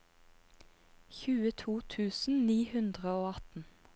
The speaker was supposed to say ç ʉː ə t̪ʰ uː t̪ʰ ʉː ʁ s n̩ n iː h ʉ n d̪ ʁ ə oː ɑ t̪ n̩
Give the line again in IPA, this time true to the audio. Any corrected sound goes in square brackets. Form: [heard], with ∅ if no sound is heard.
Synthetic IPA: ç ʉː ə t̪ʰ uː t̪ʰ ʉː [∅] s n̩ n iː h ʉ n d̪ ʁ ə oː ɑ t̪ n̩